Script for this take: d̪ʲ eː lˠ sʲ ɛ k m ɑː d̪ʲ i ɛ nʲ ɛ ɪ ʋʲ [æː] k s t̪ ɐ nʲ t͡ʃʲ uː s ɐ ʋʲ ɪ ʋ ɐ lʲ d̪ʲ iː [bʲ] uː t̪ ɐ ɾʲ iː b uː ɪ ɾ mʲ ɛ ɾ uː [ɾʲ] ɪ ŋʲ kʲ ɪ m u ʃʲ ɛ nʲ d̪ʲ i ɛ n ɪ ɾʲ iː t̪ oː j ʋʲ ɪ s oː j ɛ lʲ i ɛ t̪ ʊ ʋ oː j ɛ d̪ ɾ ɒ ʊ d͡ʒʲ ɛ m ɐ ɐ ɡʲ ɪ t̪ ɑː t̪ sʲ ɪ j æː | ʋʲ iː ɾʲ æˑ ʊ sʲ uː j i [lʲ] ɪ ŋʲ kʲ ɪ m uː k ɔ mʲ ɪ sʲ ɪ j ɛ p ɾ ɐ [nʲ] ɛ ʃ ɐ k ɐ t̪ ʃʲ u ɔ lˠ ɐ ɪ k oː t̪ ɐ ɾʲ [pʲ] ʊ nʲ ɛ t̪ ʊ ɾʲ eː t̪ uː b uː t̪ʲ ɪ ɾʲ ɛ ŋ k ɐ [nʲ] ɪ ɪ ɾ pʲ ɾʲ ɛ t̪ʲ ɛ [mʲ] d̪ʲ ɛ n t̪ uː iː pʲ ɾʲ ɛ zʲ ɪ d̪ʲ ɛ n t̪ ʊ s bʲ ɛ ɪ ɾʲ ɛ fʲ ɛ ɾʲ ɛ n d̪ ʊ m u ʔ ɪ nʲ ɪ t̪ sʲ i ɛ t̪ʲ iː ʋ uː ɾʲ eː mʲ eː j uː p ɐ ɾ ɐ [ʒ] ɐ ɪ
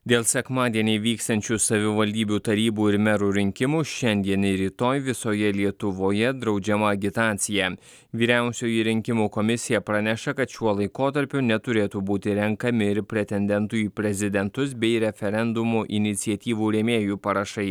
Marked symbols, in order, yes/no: no, yes, yes, no, yes, yes, no, no, no

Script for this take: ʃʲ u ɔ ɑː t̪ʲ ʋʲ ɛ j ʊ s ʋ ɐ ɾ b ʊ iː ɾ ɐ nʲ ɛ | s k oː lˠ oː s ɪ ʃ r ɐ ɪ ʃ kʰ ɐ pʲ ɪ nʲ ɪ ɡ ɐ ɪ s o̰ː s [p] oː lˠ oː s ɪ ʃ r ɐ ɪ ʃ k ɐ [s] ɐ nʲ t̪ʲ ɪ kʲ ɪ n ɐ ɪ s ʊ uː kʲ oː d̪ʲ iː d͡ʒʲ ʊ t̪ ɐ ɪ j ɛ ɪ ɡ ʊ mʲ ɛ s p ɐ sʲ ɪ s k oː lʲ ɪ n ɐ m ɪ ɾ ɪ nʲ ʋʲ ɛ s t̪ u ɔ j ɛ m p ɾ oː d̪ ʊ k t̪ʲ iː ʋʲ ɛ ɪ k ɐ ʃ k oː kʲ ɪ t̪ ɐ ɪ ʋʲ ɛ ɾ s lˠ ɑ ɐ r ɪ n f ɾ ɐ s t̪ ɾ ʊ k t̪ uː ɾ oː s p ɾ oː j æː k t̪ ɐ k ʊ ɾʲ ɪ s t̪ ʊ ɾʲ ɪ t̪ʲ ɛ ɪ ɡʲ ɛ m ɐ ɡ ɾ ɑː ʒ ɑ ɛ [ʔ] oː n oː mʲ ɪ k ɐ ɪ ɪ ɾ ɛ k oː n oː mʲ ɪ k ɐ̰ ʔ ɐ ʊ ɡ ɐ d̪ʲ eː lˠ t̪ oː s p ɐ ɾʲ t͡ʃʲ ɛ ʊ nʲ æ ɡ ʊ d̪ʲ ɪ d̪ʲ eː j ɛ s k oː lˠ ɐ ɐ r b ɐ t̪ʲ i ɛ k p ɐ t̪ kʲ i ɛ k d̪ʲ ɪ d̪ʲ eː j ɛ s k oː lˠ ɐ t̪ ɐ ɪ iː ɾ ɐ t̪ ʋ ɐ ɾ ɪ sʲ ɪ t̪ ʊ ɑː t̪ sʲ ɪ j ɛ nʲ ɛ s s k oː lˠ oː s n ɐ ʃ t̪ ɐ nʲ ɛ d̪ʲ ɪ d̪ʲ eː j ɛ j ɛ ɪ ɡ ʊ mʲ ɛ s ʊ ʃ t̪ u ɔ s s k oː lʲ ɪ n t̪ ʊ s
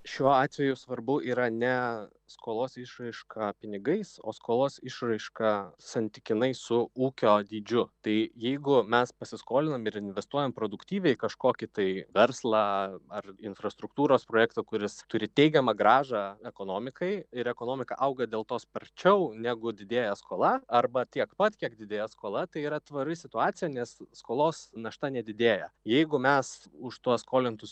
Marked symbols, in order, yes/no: no, yes, no

